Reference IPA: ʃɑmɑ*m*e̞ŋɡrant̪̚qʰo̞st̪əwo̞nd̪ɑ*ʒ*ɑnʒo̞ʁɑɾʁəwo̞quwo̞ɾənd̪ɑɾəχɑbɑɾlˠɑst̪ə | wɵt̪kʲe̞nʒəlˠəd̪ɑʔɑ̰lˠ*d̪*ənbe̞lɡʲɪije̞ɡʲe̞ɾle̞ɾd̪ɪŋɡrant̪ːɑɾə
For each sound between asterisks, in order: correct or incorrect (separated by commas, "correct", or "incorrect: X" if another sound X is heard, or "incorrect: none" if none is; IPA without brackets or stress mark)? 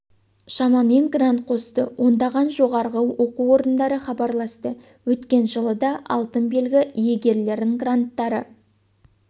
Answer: correct, incorrect: ʁ, incorrect: t̪